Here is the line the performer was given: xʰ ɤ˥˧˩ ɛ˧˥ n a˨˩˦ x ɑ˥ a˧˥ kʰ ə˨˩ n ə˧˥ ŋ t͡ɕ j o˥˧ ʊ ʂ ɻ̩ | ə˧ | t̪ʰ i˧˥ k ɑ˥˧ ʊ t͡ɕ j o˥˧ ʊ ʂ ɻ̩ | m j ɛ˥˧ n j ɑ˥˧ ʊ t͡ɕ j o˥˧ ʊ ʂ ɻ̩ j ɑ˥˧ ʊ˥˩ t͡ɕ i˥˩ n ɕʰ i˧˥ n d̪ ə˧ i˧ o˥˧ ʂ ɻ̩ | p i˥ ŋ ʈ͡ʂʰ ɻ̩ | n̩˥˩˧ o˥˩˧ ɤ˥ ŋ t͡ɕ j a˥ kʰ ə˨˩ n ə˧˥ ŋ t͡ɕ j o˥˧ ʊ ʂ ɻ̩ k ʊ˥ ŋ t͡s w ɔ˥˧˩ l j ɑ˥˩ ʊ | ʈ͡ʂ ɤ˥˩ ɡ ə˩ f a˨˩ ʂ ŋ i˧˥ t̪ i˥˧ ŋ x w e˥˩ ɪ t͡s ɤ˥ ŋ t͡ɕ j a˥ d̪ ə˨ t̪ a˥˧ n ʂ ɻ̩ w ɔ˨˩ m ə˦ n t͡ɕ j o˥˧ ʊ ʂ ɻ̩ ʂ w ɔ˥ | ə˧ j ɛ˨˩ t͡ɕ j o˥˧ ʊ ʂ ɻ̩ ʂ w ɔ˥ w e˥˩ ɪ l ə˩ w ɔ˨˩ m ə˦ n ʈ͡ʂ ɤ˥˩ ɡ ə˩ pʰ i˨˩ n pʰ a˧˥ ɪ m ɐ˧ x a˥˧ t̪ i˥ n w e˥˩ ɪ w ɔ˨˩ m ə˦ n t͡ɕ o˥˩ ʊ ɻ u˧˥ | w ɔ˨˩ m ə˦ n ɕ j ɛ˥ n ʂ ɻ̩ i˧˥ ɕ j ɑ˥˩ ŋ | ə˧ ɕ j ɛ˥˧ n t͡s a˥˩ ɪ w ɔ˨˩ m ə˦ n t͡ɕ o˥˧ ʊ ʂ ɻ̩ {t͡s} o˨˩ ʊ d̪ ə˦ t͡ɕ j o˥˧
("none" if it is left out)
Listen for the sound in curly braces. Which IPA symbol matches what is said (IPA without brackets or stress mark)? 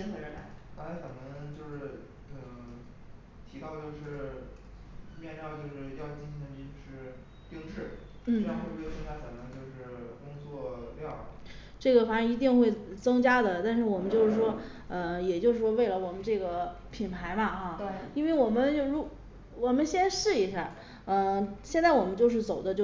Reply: t͡s